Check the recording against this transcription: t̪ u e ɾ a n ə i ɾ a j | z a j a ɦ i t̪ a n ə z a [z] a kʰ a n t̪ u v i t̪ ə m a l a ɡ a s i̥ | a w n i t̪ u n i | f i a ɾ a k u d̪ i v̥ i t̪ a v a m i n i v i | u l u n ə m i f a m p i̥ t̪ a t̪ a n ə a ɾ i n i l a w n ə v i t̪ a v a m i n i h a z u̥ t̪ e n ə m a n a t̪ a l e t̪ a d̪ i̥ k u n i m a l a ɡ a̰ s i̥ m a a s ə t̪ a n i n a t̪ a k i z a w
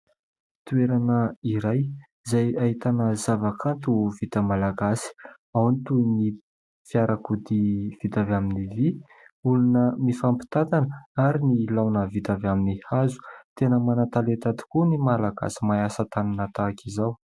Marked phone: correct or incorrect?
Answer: incorrect